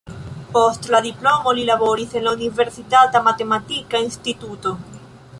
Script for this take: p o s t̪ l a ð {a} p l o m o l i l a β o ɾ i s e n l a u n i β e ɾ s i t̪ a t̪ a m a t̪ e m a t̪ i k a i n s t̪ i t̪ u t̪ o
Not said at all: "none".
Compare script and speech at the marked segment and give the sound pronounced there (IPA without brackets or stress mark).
i